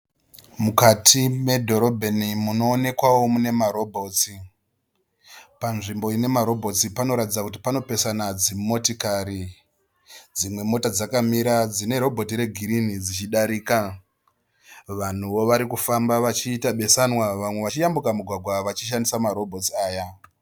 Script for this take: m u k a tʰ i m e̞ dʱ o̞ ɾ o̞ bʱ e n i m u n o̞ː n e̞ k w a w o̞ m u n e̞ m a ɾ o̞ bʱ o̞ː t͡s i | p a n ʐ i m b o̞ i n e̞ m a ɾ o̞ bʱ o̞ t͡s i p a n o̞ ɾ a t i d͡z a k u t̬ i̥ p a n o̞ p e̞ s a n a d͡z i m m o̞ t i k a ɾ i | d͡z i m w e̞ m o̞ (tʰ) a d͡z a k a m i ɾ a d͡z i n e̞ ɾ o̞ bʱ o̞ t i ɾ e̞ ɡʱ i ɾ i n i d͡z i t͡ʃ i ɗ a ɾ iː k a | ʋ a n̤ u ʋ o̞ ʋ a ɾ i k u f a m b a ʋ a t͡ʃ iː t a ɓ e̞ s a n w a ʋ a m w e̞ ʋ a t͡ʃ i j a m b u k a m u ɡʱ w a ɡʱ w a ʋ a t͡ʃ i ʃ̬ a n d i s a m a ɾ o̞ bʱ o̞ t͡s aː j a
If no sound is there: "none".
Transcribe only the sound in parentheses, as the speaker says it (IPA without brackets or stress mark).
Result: t